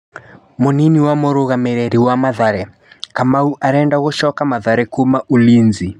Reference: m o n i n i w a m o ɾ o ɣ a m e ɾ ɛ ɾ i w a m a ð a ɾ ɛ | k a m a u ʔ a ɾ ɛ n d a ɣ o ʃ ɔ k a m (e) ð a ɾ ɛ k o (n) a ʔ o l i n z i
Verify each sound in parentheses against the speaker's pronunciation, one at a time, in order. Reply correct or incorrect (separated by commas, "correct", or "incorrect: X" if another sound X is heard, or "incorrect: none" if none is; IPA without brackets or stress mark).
incorrect: a, incorrect: m